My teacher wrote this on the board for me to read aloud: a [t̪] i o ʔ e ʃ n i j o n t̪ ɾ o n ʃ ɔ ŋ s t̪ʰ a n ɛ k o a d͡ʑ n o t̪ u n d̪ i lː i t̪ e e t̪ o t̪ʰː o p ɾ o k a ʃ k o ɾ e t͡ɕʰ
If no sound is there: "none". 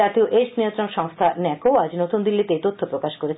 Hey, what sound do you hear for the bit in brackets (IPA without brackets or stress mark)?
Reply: t̪